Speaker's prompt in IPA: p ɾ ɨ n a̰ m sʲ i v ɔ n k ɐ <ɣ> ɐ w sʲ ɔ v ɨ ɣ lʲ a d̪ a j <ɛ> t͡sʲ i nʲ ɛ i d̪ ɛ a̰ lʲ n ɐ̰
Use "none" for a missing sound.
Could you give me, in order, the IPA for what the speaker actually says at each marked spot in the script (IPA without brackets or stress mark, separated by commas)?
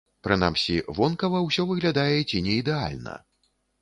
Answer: v, ɛ